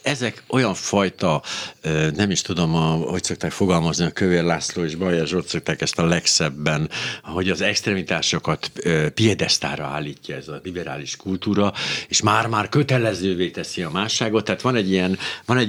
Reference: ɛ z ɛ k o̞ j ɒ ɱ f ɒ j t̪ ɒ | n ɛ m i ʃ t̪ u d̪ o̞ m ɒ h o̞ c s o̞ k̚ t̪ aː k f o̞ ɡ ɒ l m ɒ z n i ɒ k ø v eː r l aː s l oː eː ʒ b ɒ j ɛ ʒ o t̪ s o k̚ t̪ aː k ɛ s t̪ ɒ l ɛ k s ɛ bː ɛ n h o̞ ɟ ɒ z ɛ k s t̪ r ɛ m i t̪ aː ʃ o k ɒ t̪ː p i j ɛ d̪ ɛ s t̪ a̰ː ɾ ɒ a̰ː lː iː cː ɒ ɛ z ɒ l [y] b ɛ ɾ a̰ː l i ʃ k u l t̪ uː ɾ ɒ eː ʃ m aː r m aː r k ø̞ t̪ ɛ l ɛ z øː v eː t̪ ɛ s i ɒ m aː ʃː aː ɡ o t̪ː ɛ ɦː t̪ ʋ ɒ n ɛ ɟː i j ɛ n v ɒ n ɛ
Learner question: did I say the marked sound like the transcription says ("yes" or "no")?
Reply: no